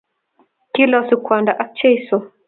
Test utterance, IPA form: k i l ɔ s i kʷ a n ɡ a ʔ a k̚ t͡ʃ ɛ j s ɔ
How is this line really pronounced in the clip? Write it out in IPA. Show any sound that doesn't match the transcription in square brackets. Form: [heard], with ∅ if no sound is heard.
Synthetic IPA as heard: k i l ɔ s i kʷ a n [d] a ʔ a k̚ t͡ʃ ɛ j s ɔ